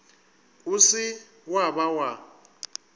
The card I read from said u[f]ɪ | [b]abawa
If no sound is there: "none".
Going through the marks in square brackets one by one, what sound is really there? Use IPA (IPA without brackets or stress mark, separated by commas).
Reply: s, w